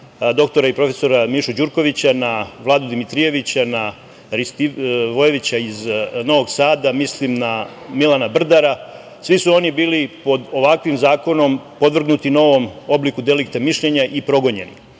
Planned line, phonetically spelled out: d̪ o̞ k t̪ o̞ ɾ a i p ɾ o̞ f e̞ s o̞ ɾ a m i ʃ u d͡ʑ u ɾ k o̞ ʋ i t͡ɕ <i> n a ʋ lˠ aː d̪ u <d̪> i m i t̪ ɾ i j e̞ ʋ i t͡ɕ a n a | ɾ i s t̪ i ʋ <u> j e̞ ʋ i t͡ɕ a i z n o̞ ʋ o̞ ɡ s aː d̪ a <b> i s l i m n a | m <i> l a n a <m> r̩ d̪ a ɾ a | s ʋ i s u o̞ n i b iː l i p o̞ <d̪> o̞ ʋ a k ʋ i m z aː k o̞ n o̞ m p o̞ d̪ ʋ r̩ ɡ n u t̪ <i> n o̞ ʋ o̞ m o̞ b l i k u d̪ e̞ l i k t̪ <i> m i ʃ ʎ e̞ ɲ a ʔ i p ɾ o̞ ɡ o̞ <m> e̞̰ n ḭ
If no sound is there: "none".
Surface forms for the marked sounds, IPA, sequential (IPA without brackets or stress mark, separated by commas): a, d̪, o, m, i, b, d̪, i, a, ɲ